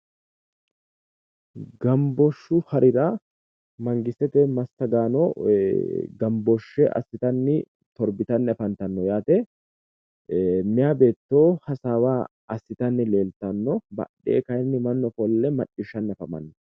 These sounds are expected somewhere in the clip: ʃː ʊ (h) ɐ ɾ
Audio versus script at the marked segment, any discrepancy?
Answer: no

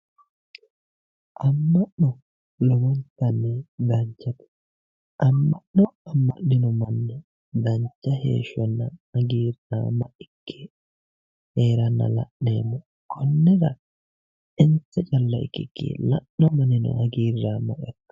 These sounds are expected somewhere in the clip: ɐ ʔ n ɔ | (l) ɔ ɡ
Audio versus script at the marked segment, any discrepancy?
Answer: no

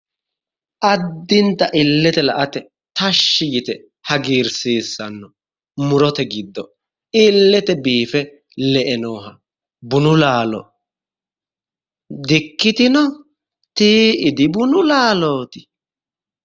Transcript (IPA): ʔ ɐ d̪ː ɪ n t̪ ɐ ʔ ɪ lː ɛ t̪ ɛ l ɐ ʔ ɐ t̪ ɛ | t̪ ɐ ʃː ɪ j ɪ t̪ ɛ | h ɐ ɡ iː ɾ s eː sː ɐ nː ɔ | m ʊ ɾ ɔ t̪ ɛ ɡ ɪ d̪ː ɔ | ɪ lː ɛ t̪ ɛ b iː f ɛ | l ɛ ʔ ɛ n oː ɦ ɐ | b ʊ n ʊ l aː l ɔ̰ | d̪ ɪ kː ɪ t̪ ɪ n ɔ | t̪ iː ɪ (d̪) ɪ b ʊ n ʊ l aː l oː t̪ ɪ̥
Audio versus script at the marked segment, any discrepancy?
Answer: no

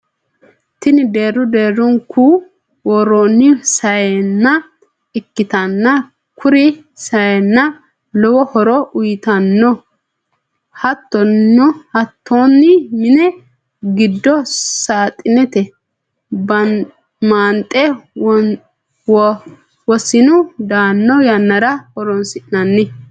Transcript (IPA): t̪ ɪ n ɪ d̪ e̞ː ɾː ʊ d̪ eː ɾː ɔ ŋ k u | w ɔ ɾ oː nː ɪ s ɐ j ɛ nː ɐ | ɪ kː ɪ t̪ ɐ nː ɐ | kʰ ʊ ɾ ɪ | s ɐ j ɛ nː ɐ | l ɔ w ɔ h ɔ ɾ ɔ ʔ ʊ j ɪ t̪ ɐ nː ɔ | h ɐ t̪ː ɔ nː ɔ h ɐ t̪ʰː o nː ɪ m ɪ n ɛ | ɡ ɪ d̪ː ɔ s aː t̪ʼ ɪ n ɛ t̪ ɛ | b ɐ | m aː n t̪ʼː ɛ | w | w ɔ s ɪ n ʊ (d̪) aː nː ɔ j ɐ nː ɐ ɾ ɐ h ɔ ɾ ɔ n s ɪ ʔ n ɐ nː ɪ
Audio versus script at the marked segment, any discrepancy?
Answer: no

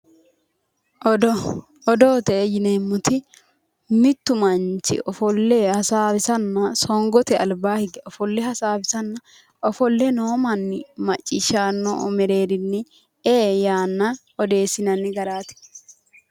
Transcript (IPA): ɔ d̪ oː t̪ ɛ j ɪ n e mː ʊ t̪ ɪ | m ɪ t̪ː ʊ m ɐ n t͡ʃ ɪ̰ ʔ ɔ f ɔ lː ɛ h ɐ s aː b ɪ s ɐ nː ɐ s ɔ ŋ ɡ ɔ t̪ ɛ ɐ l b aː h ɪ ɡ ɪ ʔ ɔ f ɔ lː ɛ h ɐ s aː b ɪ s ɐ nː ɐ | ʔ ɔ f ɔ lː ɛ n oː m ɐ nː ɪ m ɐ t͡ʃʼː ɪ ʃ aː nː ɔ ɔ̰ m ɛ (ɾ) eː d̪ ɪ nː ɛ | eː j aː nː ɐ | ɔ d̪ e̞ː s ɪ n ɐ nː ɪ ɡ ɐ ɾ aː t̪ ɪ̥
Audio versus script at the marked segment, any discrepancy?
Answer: no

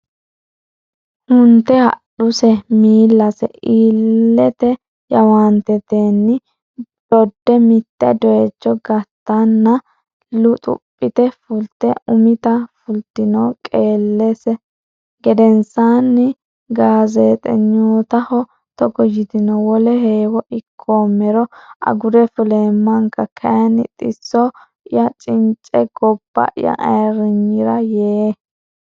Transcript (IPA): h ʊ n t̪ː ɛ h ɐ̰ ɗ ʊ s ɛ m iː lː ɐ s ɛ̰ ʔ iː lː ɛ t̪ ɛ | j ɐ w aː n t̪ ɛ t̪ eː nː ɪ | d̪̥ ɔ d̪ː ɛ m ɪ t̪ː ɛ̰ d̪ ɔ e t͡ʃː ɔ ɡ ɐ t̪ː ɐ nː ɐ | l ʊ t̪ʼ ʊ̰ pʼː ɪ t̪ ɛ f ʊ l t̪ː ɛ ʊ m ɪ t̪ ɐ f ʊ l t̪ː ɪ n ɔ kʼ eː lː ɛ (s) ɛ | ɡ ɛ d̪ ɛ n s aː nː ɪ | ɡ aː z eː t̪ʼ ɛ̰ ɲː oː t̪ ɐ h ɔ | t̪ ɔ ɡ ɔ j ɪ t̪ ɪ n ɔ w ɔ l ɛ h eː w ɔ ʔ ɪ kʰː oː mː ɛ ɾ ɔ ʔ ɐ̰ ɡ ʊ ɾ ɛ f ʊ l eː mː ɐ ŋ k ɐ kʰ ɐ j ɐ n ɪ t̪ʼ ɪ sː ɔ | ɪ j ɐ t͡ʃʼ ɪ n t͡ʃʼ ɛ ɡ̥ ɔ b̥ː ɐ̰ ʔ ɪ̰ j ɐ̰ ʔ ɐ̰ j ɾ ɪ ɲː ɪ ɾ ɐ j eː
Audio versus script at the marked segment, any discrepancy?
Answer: no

